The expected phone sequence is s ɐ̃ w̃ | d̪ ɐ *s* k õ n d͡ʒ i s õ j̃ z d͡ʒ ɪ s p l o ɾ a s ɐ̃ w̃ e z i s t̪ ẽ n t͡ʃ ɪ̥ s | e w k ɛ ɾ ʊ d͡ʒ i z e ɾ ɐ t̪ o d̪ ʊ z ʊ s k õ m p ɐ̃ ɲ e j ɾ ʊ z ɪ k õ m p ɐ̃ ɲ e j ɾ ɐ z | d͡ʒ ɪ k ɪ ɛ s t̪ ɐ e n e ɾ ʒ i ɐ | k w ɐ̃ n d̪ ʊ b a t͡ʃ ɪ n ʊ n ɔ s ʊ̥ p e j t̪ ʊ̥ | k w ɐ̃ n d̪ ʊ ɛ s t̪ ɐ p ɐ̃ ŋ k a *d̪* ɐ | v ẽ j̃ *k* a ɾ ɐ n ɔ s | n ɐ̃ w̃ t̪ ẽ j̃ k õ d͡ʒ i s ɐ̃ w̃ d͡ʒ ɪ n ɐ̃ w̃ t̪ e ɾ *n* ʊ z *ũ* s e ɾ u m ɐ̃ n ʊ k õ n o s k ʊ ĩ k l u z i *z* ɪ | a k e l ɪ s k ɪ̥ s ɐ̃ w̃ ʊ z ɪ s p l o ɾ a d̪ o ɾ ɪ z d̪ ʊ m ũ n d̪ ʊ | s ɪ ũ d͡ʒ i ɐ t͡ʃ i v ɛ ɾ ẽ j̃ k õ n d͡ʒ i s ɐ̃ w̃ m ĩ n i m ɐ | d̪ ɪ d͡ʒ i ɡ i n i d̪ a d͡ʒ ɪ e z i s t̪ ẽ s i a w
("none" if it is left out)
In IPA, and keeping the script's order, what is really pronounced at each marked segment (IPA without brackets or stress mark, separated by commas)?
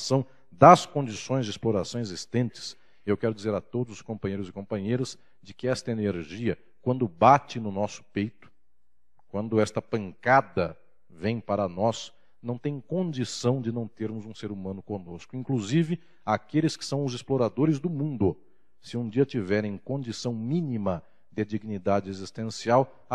s, d̪, p, m, ũ, v